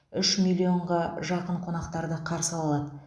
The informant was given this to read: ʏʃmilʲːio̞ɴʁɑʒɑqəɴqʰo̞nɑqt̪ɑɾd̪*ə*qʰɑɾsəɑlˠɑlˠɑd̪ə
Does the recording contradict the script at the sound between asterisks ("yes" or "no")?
no